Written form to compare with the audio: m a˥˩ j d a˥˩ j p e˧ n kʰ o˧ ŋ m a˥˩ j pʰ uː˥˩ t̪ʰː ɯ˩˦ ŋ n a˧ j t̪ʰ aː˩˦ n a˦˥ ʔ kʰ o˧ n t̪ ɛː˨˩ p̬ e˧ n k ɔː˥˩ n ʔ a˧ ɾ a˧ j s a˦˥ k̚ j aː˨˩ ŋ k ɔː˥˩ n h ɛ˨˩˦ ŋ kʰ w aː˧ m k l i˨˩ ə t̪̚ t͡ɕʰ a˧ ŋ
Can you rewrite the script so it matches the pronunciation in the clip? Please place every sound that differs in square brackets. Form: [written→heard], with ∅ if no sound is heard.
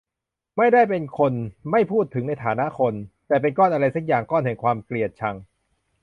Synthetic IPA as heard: m a˥˩ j d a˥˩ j p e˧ n kʰ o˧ [ŋ→n] m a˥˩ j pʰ uː˥˩ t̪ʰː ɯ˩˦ ŋ n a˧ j t̪ʰ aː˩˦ n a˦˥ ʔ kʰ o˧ n t̪ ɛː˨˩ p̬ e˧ n k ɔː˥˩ n ʔ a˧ ɾ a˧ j s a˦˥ k̚ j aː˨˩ ŋ k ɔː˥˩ n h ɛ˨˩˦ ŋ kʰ w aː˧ m k l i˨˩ ə t̪̚ t͡ɕʰ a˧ ŋ